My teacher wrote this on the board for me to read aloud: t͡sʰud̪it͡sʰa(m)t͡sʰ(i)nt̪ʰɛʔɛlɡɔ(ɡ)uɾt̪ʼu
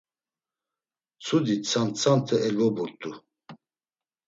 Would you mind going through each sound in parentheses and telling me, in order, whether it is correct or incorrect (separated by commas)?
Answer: incorrect, incorrect, incorrect